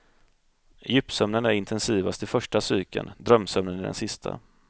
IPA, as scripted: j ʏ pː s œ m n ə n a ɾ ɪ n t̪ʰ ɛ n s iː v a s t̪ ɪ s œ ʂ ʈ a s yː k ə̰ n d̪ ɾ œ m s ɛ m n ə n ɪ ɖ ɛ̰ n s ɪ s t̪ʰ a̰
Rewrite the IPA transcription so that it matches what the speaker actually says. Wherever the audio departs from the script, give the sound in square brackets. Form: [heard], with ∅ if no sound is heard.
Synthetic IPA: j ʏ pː s œ m n ə n [æ] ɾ ɪ n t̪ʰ ɛ n s iː v a s t̪ ɪ [f] œ ʂ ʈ a s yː k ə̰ n d̪ ɾ œ m s [œ] m n ə n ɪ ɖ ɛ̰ n s ɪ s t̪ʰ a̰